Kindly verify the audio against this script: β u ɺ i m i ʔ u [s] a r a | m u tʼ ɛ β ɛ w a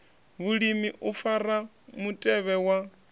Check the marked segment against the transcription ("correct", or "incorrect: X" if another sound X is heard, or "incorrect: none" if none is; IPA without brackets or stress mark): incorrect: f